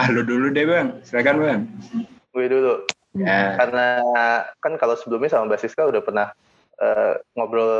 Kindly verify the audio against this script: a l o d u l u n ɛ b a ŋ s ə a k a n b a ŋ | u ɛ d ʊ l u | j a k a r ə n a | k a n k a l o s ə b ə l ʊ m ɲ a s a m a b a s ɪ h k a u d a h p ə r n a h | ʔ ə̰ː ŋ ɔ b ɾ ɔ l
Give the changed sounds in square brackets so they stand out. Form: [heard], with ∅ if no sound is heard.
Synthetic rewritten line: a l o d u l u [d] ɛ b a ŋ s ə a k a n b a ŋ | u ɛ d [u] l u | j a k a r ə n a | k a n k a l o s ə b ə l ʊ m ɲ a s a m a b a s ɪ [s] k a u d a h p ə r n a h | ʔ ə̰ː ŋ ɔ b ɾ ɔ l